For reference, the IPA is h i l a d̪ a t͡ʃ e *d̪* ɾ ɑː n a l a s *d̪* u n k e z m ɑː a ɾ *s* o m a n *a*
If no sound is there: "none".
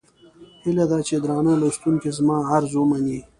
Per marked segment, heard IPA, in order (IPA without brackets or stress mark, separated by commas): d̪, t̪, z, i